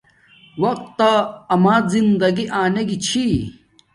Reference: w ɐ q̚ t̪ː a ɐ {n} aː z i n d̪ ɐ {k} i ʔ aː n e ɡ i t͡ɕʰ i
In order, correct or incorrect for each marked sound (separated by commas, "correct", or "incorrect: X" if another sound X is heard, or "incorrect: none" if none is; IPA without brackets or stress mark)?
incorrect: m, incorrect: ɡ